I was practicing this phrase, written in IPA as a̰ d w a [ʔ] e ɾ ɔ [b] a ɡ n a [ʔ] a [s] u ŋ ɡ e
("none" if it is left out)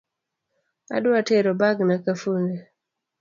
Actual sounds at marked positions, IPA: t, b, k, f

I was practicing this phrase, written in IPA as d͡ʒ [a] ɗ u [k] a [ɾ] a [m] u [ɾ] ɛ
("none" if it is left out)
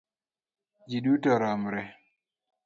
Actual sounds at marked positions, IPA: i, t, ɾ, m, ɾ

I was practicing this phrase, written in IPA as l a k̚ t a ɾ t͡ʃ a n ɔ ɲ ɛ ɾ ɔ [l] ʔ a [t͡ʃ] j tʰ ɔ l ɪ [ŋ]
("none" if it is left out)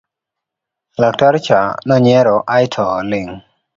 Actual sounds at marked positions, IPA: none, none, ŋ

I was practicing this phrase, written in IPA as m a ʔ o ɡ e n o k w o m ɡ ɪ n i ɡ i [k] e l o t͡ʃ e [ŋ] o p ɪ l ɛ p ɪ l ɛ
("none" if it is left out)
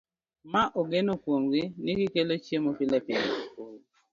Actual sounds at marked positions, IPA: k, m

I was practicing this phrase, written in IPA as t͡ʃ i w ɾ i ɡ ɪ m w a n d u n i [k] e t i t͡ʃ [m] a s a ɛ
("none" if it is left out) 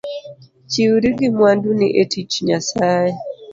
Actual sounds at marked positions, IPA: ʔ, ɲ

